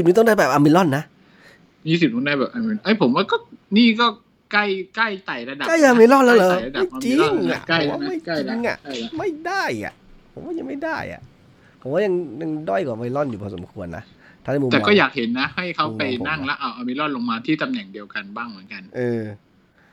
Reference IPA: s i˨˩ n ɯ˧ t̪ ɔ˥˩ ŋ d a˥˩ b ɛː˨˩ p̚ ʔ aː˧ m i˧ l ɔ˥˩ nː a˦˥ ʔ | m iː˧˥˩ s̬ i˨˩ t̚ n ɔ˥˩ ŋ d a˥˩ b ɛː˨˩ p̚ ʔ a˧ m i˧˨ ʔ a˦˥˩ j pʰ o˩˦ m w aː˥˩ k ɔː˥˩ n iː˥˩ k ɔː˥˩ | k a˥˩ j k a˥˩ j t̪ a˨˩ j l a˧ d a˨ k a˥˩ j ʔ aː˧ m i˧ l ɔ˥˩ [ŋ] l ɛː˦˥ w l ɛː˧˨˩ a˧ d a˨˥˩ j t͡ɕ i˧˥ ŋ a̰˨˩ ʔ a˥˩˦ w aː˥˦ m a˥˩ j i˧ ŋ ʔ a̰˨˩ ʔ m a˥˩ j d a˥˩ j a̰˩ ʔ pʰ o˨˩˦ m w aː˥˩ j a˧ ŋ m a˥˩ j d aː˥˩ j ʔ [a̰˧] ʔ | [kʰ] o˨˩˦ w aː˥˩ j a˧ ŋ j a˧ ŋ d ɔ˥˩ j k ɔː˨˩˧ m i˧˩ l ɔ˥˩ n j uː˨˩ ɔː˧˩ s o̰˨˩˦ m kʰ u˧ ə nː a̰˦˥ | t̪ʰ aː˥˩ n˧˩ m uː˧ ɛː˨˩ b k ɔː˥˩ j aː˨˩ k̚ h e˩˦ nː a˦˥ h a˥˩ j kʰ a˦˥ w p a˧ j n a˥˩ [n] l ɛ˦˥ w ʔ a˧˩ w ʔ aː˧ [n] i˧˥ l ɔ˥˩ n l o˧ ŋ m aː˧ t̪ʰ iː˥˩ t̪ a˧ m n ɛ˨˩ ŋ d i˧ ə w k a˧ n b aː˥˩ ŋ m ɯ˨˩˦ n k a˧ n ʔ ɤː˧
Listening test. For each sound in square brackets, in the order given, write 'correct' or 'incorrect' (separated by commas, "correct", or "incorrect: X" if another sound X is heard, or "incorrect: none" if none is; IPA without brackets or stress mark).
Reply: incorrect: n, incorrect: a̰˨˩, incorrect: pʰ, incorrect: ŋ, incorrect: m